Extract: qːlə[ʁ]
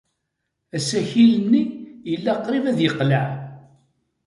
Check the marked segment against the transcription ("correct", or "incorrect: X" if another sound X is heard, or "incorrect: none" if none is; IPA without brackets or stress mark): incorrect: ʕ